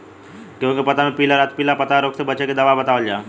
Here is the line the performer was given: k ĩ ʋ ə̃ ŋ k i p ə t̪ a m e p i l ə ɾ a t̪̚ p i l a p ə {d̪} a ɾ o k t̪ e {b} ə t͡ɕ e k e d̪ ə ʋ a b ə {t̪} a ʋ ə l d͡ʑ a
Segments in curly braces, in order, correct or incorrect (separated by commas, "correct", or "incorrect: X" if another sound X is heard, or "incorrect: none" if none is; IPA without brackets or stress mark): incorrect: t̪, correct, correct